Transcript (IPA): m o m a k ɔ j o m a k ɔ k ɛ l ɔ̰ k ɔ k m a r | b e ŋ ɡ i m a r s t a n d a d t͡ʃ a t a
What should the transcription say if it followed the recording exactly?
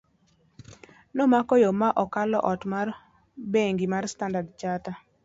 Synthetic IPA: n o m a k ɔ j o m a ʔ ɔ k a l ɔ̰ ʔ ɔ t m a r | b e ŋ ɡ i m a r s t a n d a d t͡ʃ a t a